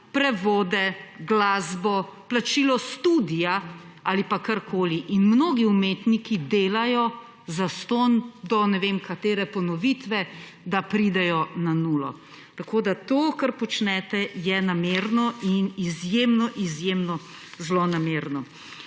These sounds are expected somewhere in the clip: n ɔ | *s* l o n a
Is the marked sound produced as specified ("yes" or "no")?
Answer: no